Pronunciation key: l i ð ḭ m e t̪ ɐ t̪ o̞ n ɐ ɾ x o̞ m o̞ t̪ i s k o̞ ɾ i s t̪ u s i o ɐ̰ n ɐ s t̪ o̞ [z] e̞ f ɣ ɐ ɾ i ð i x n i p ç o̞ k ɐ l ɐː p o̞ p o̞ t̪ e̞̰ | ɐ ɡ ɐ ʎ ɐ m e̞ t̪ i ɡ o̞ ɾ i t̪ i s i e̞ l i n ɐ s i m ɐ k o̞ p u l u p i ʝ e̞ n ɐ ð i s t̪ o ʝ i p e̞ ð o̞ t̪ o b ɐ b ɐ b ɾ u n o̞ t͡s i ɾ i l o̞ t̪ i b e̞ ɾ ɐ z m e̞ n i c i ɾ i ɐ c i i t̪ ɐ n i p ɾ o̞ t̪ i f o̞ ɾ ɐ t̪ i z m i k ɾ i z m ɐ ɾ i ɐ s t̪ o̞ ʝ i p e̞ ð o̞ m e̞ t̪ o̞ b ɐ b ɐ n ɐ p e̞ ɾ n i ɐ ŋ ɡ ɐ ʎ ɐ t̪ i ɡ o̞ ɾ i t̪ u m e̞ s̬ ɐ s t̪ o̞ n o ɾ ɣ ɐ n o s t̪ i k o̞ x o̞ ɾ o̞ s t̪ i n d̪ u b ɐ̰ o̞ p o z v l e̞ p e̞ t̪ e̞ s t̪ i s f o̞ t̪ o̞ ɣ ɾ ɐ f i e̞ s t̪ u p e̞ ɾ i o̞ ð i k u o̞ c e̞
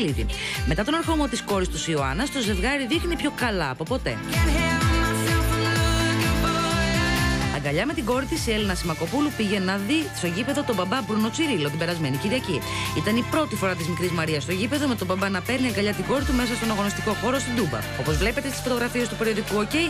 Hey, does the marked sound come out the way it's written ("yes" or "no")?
yes